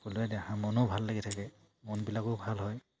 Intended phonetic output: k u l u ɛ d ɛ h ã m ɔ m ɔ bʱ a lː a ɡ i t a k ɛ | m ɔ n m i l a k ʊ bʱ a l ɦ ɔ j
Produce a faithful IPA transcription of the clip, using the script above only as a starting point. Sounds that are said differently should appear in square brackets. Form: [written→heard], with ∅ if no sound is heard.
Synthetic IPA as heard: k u l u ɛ d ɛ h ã m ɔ [m→n] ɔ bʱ a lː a ɡ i [t→tʰ] a k ɛ | m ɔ n [m→b] i l a k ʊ bʱ a l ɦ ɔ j